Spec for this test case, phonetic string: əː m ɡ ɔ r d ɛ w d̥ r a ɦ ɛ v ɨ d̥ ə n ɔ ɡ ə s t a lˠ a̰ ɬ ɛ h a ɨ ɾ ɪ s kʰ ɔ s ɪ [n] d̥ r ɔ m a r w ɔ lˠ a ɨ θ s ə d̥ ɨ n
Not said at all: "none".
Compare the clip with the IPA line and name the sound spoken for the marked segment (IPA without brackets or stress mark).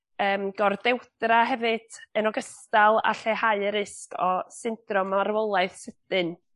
n